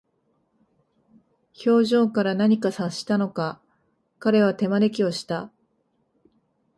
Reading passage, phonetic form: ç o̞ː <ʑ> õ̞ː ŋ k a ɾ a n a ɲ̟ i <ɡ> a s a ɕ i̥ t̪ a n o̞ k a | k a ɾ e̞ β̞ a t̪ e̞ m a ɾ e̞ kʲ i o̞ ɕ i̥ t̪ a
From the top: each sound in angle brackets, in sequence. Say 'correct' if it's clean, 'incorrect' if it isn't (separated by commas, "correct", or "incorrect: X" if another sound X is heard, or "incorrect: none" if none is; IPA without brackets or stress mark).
correct, incorrect: k